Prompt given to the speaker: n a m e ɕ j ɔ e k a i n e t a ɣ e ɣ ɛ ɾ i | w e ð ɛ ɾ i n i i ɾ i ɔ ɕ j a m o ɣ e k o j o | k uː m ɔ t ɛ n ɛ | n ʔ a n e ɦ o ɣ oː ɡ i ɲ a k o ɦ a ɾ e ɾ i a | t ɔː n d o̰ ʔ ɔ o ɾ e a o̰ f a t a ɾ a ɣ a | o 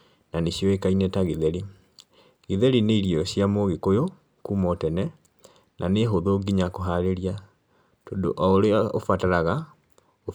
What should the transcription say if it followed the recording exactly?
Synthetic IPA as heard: n a n e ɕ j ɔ e k a i n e t a ɣ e ð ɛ ɾ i | ɣ e ð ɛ ɾ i n e i ɾ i ɔ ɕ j a m o ɣ e k o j o | k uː m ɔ t ɛ n ɛ | n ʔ a n e ɦ o ð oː ɡ i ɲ a k o ɦ a ɾ e ɾ i a | t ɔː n d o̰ ʔ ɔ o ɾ e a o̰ f a t a ɾ a ɣ a | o